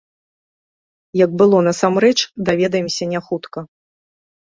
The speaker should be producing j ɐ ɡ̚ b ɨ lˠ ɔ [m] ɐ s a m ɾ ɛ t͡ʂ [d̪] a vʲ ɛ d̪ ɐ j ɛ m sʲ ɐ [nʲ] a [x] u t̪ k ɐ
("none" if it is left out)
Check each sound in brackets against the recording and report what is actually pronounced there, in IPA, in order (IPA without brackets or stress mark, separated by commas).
n, d̪, nʲ, x